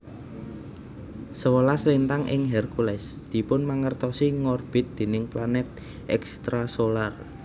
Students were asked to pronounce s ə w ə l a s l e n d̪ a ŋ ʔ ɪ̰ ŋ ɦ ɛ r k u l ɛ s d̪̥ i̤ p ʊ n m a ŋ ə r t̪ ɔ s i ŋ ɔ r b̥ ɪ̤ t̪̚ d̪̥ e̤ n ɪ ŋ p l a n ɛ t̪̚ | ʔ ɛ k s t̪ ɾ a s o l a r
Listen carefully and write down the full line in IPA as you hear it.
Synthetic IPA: s ə w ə l a s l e n t̪ a ŋ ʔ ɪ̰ ŋ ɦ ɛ r k u l ɛ s d̪̥ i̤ p ʊ n m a ŋ ə r t̪ ɔ s i ŋ ɔ r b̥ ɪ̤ t̪̚ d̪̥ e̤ n ɪ ŋ p l a n ɛ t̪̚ | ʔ ɛ k s t̪ ɾ a s o l a r